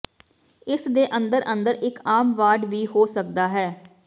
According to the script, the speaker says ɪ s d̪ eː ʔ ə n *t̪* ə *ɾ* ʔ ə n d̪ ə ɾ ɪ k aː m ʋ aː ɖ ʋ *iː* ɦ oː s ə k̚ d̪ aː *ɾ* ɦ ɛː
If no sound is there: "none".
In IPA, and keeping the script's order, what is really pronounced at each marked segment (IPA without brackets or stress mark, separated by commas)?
d̪, ɾ, iː, none